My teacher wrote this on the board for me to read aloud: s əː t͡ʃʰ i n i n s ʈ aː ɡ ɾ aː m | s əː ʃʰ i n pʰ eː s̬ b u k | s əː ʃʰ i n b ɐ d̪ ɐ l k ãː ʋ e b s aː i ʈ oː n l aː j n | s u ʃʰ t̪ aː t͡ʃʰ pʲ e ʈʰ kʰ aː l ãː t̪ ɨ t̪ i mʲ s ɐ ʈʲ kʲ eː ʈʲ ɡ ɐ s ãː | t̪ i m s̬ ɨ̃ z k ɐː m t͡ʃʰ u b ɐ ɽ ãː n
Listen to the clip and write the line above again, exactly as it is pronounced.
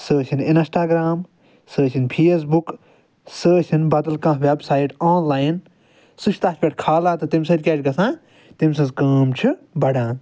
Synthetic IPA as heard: s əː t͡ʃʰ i n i n s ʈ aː ɡ ɾ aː m | s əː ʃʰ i n pʰ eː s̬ b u k | s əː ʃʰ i n b ɐ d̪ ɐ l k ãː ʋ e b s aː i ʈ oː n l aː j n | s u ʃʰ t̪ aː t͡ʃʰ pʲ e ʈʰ kʰ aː l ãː t̪ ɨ t̪ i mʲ s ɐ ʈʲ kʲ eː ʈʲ ɡ ɐ s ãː | t̪ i m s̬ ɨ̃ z k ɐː m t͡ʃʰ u b ɐ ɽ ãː n